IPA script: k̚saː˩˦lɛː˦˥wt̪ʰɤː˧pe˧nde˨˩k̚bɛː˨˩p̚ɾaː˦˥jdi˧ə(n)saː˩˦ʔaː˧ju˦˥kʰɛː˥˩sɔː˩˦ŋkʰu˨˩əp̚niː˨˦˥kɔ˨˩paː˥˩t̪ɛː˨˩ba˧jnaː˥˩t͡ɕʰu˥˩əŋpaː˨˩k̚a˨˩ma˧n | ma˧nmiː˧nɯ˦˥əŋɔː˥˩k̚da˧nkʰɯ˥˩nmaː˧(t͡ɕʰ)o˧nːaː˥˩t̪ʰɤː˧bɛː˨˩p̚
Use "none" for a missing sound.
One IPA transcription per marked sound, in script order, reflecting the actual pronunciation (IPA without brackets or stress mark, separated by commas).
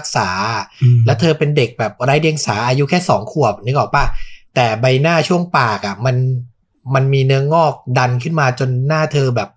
ŋ, t͡ɕ